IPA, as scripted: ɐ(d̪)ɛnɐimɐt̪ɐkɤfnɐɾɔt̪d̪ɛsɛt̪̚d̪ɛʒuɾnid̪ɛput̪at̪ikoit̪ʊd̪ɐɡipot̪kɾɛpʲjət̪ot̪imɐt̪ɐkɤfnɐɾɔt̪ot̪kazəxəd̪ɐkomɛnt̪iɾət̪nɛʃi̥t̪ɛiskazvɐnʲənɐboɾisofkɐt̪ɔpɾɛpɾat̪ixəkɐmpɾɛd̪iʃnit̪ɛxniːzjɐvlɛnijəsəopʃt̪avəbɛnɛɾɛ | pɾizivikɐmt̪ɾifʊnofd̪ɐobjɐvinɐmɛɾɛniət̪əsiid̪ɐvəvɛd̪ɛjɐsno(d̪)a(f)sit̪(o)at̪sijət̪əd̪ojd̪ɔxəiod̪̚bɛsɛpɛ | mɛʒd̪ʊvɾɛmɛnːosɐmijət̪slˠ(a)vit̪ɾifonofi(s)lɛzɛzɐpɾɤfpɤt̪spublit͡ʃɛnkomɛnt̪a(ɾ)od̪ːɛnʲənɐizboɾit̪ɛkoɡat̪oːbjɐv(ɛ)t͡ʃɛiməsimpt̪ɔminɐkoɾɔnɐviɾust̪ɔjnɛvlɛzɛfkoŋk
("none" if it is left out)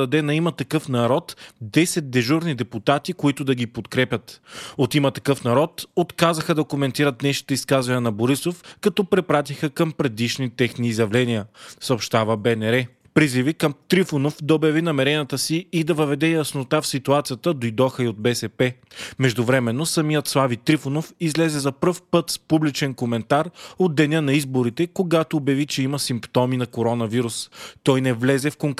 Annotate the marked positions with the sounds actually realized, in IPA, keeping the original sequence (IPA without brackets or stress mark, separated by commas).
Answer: d̪, t̪, f, u, a, z, ɾ, i